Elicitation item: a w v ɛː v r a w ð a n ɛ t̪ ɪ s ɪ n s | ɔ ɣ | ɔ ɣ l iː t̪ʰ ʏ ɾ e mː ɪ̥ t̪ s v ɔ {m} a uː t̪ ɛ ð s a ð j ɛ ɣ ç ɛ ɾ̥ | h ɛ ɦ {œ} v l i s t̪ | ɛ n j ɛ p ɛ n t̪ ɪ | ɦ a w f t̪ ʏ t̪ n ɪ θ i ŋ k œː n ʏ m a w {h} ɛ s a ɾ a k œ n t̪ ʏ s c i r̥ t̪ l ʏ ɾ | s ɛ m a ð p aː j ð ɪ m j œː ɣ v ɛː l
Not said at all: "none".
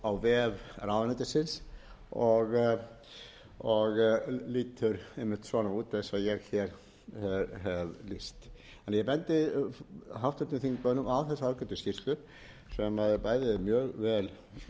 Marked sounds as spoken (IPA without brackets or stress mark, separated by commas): n, ɛ, θ